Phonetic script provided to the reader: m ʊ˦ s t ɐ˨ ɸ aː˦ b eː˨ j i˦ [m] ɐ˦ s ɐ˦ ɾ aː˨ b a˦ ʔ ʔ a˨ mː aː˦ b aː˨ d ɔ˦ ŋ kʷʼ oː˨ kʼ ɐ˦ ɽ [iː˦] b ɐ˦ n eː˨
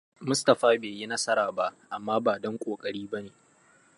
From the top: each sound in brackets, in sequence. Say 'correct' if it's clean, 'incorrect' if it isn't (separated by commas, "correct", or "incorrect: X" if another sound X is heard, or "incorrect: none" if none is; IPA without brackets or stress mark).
incorrect: n, correct